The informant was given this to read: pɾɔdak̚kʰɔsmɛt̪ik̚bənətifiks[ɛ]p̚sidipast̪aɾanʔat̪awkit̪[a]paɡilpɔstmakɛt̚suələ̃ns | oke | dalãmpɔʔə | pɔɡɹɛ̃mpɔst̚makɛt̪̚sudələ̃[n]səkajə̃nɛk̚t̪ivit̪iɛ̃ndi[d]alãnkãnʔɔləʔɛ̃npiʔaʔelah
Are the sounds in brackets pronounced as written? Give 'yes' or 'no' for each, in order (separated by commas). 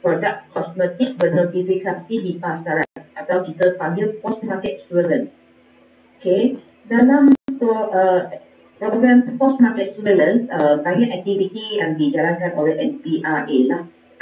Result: no, no, yes, no